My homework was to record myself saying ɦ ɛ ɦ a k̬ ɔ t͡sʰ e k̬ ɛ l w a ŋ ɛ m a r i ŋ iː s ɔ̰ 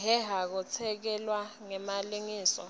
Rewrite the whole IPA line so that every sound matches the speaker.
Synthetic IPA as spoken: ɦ ɛ ɦ a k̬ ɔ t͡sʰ ɛ k̬ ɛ l w a ŋ ɛ m a l i ŋ iː s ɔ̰